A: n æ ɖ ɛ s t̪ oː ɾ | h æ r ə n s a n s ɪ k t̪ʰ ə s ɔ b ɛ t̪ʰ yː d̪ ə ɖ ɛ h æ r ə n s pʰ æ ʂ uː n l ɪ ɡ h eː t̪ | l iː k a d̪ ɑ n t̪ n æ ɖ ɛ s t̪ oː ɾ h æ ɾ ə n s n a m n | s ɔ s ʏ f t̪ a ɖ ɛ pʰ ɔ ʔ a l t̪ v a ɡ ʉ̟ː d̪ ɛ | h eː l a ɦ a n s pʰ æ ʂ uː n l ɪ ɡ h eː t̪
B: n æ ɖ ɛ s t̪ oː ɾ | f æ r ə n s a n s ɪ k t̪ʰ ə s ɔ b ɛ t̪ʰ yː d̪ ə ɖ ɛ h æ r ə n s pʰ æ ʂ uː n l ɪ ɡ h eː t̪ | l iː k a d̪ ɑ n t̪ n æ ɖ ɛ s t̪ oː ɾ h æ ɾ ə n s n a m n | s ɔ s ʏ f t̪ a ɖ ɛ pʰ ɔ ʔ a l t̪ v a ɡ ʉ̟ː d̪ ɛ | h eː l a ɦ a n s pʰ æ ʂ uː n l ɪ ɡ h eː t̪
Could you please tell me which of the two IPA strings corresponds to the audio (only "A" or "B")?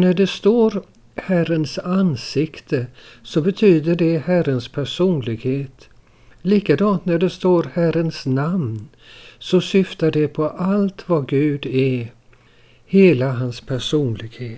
A